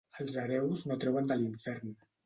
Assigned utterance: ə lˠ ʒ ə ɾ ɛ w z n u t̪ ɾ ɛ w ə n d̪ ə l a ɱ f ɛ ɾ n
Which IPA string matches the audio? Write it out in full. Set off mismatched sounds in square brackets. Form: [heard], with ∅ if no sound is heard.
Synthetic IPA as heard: ə lˠ [z] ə ɾ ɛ w z n [o] t̪ ɾ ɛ w ə n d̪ ə l [i] ɱ f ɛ ɾ n